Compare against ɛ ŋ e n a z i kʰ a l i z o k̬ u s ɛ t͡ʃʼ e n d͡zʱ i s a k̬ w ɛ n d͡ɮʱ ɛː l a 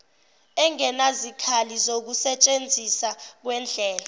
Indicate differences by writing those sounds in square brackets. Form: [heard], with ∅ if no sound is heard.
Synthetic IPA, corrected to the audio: ɛ ŋ [ɛ] n a z i kʰ a l i z o k̬ u s ɛ t͡ʃʼ e n d͡zʱ i s a k̬ w ɛ n d͡ɮʱ ɛː l a